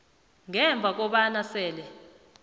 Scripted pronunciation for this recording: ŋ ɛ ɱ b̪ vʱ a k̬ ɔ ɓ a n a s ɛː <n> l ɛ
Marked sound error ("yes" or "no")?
yes